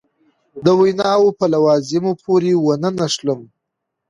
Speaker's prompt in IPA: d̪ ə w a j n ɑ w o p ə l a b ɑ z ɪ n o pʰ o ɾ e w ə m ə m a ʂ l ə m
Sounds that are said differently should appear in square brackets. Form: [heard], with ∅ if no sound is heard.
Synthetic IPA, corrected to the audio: d̪ ə w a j n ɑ w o p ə l a [w] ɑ z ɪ [m] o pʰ o ɾ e w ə [n] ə [n] a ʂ l ə m